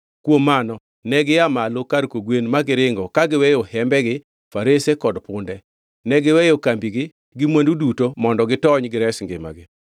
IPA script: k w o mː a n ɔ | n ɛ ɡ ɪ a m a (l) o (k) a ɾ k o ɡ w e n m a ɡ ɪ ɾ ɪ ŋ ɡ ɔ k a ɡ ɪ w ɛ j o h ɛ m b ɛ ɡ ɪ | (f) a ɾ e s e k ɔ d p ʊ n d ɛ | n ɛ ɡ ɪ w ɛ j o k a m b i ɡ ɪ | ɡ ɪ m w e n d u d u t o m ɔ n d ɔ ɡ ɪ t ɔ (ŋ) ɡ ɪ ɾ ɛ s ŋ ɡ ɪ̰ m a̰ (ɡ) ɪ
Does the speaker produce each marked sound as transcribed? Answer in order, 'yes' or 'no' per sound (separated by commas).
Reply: yes, yes, yes, no, yes